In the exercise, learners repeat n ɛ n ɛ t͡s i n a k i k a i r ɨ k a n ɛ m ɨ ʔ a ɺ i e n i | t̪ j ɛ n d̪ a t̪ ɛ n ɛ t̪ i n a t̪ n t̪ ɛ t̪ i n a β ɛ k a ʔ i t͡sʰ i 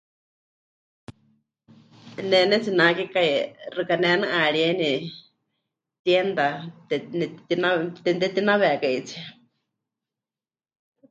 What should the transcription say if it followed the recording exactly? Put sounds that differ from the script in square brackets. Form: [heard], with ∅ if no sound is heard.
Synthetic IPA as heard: n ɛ n ɛ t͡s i n a k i k a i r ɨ k a n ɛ [n] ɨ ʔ a ɺ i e n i | t̪ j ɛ n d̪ a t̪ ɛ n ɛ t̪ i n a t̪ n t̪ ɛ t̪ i n a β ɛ k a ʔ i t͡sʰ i